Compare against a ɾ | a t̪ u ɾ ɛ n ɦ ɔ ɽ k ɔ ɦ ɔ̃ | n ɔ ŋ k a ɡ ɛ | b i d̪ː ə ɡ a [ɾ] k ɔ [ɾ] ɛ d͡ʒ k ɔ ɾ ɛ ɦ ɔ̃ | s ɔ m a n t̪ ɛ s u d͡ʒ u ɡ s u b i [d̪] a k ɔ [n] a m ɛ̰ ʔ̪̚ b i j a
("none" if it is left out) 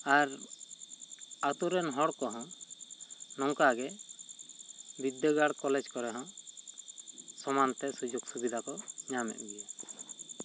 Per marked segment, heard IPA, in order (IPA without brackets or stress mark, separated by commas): ɽ, l, d̪, ɲ